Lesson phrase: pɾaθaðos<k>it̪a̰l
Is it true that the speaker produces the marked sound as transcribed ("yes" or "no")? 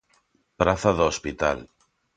no